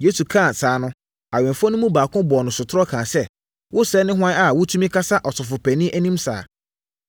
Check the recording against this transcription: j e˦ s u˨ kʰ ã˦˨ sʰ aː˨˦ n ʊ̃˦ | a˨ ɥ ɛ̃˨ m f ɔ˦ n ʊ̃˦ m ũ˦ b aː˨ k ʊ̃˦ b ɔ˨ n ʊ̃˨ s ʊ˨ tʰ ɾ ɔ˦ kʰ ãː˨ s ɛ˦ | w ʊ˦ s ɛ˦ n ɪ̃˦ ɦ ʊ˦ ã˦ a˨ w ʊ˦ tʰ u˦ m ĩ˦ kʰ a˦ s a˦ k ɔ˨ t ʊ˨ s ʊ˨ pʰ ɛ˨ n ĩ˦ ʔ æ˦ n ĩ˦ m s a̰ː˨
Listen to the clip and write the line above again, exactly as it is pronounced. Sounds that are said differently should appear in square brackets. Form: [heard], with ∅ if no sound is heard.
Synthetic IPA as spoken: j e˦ s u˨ kʰ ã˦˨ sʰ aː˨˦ n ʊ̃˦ | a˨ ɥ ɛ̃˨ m f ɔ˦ n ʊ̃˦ m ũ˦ b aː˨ k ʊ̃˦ b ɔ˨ n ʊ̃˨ s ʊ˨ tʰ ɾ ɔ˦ kʰ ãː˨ s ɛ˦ | w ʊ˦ s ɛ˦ n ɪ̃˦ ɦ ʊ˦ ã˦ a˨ w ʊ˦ tʰ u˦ m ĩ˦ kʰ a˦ s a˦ [ʔ] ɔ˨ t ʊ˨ [f] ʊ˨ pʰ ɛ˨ n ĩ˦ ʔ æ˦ n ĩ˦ m s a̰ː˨